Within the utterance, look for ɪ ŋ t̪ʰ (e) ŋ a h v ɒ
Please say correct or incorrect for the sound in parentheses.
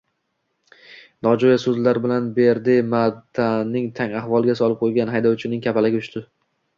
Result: incorrect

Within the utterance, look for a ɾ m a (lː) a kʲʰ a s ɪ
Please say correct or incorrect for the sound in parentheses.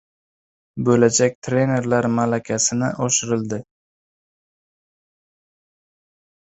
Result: incorrect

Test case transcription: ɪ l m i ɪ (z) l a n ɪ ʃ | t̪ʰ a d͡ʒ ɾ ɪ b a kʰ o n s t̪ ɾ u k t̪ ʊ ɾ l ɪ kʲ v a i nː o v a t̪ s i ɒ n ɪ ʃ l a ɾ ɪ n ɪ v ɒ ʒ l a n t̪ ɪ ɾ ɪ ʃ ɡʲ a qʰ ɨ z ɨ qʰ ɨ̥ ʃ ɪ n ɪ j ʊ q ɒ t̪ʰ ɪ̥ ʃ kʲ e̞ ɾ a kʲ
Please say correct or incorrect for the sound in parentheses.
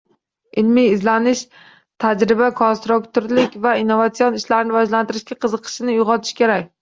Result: correct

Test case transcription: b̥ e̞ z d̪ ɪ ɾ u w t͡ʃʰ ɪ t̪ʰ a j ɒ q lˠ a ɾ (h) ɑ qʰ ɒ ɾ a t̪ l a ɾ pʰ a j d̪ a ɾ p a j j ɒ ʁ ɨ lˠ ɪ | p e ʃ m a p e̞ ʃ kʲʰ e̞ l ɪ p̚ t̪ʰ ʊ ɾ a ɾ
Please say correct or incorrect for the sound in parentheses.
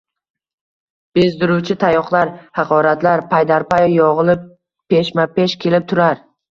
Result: correct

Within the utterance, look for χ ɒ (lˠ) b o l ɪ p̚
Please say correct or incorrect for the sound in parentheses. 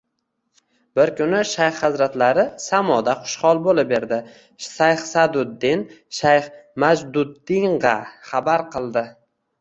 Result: correct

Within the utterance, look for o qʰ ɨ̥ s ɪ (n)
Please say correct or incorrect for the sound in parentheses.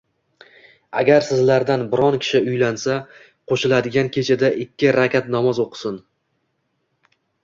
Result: correct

